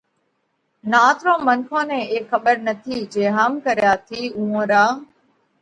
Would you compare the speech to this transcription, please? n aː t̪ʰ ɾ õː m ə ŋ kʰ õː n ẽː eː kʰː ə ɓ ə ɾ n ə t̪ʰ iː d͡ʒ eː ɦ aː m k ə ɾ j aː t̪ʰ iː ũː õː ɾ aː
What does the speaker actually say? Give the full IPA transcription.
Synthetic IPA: n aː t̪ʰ ɾ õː m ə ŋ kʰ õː n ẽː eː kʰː ə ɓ ə ɾ n ə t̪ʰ iː d͡ʒ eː ɦ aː m k ə ɾ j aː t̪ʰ iː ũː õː ɾ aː